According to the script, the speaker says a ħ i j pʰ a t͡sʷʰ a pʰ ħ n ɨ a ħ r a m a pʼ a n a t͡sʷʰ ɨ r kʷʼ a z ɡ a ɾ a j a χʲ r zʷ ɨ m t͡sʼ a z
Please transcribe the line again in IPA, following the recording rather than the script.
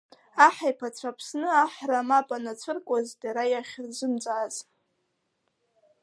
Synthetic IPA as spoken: a ħ a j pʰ a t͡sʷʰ a pʰ s n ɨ a ħ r a m a pʼ a n a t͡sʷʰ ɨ r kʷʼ a z d a ɾ a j a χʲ r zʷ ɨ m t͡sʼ a z

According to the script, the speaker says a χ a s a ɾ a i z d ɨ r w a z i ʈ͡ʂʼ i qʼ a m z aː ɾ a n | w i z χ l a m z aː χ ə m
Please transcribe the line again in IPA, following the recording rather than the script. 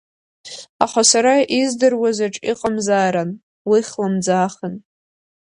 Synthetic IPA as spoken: a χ a s a ɾ a i z d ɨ r w a z a ʈ͡ʂʼ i qʼ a m z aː ɾ a n | w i χ l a m d͡z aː χ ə n

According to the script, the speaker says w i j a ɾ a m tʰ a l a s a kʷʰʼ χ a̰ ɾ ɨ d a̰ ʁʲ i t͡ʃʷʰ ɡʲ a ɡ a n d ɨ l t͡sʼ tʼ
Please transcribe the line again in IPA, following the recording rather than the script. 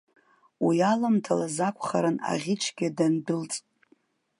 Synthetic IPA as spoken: w i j a l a m tʰ a l a z a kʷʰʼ χ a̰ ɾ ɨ n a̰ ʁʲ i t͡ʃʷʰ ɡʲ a d a n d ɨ l t͡sʼ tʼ

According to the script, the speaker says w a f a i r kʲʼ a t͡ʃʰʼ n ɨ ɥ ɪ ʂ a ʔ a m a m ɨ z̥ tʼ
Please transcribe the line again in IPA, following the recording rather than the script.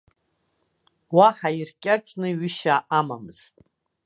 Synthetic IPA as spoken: w a ħ a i r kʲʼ a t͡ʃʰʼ n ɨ ɥ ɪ ʃ a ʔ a m a m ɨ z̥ tʼ

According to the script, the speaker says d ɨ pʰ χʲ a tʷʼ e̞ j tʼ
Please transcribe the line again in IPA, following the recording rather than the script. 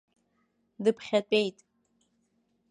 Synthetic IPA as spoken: d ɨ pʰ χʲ a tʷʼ e̞ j tʼ

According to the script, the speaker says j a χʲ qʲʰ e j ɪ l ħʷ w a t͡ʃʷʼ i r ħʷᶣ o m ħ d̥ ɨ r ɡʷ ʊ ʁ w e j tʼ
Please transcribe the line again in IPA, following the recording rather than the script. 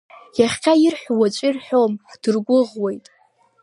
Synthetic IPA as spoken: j a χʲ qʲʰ a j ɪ r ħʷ w a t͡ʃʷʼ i r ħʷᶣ o m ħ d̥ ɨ r ɡʷ ʊ ʁ w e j tʼ

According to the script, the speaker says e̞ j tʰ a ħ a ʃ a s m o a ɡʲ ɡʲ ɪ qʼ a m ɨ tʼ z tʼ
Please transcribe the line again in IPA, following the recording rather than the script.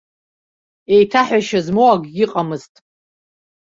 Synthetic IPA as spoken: e̞ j tʰ a ħ a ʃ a z m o a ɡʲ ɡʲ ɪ qʼ a m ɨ z tʼ

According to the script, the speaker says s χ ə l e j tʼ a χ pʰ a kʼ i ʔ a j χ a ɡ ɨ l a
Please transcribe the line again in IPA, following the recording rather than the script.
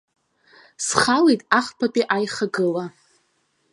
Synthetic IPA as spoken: s χ a l e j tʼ a χ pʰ a pʼ i ʔ a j χ a ɡ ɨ l a

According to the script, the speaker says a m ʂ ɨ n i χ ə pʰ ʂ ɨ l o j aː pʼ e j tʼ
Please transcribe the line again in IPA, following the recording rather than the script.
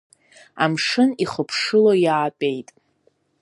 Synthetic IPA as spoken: a m ʂ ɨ n i χ ə pʰ ʂ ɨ l o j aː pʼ e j tʼ

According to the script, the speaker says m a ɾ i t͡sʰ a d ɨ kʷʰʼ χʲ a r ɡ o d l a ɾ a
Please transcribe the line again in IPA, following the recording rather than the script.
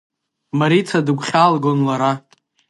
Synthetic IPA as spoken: m a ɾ i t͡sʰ a d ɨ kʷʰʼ χʲ a l ɡ o n l a ɾ a

